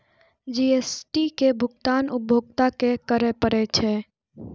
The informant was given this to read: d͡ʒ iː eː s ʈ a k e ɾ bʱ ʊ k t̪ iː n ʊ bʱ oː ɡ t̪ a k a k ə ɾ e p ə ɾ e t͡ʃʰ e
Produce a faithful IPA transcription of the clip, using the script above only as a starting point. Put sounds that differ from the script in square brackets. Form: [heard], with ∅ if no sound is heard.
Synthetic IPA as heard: d͡ʒ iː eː s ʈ [i] k e [∅] bʱ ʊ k t̪ [aː] n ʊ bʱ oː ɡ t̪ a k [e] k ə ɾ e p ə ɾ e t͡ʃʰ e

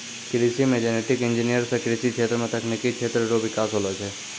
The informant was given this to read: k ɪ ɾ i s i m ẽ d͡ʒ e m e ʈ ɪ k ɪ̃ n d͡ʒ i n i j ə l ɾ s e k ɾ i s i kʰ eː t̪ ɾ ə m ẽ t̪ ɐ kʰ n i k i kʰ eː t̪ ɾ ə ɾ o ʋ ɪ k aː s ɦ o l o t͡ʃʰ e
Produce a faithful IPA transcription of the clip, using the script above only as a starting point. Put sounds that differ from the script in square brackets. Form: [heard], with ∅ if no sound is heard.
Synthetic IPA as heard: k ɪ ɾ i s i m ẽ d͡ʒ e [n] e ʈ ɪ k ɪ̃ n d͡ʒ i n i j ə [∅] ɾ s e k ɾ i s i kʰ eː t̪ ɾ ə m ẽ t̪ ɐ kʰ n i k i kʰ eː t̪ ɾ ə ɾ o ʋ ɪ k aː s ɦ o l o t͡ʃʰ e

